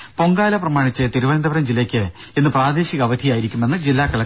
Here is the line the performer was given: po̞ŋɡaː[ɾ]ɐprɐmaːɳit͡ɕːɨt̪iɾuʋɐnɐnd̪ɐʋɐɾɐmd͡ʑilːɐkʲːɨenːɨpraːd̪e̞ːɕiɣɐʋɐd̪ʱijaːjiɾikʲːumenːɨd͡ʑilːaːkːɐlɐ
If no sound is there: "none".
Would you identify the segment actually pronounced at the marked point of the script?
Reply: l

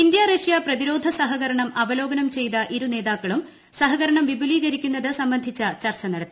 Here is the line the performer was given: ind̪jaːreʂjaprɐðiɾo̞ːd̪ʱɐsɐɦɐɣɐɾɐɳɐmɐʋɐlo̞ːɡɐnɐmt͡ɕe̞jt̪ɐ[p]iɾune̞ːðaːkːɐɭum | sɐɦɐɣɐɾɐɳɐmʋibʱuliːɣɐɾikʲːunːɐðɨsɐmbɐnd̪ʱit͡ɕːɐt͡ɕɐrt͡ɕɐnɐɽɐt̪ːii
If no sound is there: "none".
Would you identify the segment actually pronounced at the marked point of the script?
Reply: ʔ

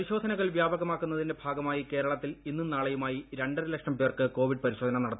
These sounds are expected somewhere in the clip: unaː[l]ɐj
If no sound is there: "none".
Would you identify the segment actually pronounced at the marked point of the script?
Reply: ɭ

